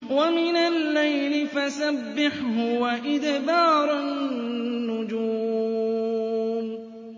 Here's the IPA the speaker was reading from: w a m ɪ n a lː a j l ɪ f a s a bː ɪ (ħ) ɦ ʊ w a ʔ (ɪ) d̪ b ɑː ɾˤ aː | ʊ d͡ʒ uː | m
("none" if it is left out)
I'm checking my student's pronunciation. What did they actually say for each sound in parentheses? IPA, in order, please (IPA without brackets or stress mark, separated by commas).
ħ, ɪ